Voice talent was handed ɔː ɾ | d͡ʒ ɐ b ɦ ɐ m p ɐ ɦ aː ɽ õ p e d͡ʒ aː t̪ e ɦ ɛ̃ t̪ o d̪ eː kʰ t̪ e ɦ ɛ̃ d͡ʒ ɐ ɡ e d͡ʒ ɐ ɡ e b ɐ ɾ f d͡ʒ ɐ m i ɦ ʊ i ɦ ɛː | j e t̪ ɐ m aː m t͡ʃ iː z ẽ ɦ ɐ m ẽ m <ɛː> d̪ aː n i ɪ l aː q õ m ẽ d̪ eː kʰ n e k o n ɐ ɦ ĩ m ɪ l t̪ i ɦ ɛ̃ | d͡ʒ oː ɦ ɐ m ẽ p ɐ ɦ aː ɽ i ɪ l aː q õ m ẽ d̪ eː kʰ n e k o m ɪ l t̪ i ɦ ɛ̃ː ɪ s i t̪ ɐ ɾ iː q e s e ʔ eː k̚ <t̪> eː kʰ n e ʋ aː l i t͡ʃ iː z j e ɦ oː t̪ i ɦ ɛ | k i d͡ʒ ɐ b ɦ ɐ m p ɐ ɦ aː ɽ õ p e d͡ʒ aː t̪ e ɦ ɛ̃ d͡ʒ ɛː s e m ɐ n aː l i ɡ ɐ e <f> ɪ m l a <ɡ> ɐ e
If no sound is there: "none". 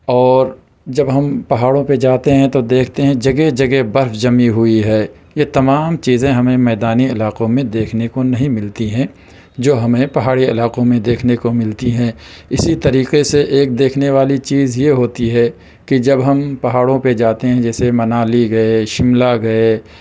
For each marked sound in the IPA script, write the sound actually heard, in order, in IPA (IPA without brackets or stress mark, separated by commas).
ɛː, d̪, ʃ, ɡ